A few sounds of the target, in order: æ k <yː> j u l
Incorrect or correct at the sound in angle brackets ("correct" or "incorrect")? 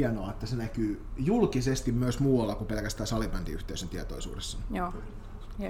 correct